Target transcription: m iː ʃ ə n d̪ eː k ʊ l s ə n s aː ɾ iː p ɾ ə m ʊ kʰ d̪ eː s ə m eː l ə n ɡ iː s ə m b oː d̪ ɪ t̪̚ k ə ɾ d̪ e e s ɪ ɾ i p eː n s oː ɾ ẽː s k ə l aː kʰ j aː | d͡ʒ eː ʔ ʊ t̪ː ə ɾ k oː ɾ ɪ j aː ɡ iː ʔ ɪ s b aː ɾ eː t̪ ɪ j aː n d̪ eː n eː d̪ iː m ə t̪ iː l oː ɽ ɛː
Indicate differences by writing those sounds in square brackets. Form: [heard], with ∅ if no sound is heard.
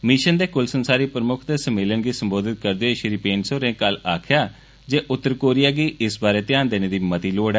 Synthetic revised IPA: m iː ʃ ə n d̪ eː k ʊ l s ə n s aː ɾ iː p ɾ ə m ʊ kʰ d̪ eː s ə m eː l ə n ɡ iː s ə m b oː d̪ ɪ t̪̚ k ə ɾ d̪ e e [ʃ] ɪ ɾ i p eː n s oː ɾ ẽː [∅] k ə l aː kʰ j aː | d͡ʒ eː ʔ ʊ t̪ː ə ɾ k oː ɾ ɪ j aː ɡ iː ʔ ɪ s b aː ɾ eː t̪ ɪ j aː n d̪ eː n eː d̪ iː m ə t̪ iː l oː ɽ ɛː